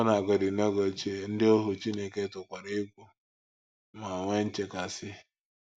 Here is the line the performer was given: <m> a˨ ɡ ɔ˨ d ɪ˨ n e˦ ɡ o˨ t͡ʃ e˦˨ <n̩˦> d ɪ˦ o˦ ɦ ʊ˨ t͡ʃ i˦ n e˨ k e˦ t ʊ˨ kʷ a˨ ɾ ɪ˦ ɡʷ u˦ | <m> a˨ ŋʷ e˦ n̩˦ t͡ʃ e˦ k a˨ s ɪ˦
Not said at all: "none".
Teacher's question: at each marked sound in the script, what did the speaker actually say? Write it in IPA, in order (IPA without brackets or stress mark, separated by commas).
n, n̩˦, m